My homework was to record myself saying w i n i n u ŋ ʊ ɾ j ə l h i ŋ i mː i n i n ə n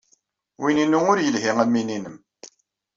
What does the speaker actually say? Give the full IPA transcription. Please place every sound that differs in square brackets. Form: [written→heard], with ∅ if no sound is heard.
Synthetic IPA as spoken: w i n i n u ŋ ʊ ɾ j ə l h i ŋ [i→æ] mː i n i n ə [n→m]